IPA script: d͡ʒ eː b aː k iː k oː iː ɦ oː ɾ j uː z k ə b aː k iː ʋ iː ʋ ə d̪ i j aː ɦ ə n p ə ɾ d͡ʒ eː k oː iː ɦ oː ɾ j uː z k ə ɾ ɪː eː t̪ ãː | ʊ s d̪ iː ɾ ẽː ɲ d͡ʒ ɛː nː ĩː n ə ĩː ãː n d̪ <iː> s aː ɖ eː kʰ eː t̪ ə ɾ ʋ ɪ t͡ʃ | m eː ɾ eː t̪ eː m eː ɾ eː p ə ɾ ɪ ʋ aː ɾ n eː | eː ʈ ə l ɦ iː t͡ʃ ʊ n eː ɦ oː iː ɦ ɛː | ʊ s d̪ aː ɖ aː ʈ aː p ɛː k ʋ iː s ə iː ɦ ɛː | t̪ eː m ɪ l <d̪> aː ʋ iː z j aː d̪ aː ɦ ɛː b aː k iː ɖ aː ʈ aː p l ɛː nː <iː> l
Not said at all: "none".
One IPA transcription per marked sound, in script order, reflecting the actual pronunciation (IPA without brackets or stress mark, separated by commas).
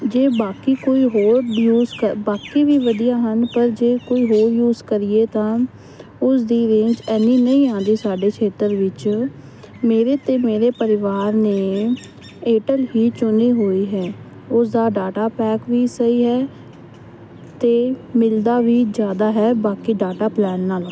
iː, d̪, aː